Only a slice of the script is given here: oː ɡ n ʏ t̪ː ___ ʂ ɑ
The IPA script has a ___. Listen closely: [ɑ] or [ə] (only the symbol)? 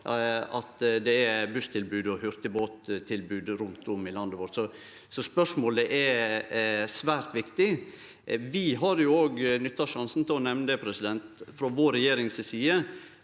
ɑ